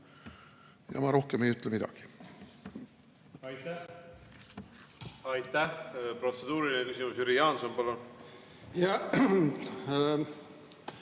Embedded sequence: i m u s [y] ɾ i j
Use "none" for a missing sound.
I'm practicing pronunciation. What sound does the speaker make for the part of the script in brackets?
y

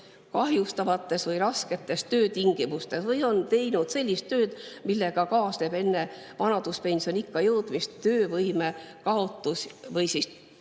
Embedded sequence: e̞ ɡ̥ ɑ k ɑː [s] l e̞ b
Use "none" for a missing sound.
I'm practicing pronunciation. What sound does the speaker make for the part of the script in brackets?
s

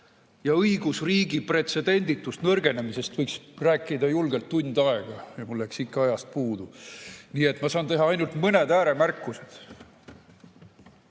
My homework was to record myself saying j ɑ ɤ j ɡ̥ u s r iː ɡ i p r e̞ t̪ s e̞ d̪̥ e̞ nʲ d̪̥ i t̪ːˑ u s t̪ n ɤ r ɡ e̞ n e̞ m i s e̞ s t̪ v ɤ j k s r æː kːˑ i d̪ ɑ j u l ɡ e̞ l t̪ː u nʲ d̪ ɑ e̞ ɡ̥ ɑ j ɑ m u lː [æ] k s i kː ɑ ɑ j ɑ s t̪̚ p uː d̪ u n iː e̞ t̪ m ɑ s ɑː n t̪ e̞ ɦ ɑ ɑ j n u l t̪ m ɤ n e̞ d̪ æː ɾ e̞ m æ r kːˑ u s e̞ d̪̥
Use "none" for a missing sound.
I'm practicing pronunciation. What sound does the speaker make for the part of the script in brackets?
æ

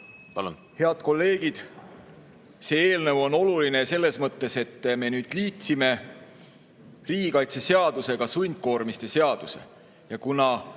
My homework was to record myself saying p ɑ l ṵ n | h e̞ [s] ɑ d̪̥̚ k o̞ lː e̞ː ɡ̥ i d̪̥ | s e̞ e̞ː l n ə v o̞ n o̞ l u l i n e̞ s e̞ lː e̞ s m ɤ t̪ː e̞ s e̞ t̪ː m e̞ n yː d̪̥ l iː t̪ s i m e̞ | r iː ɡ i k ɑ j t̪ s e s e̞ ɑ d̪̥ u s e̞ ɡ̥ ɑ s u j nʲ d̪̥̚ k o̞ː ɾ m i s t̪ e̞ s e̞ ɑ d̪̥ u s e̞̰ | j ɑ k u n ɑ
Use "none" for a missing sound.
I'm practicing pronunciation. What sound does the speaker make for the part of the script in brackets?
none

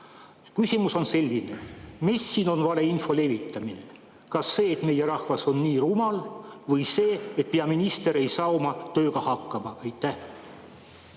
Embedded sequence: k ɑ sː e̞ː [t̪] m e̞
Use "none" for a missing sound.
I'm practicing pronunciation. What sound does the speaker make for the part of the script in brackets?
t̪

